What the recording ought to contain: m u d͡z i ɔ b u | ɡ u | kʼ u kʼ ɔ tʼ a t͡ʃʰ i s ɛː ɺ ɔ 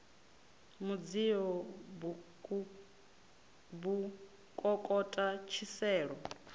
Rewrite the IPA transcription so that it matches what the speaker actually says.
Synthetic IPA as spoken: m u d͡z i ɔ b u | b u | kʼ ɔ kʼ ɔ tʼ a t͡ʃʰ i s ɛː ɺ ɔ